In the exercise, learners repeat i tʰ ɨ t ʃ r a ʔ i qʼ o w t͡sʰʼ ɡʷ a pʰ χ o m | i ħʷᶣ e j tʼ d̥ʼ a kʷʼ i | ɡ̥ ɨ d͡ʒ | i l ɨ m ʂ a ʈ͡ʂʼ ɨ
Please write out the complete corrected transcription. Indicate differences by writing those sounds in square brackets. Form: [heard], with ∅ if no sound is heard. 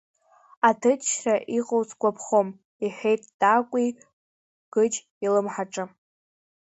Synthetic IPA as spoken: [a] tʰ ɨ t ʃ r a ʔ i qʼ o w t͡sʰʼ ɡʷ a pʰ χ o m | i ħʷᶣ e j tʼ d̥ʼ a kʷʼ i | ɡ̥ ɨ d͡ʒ | i l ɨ m [ħ] a ʈ͡ʂʼ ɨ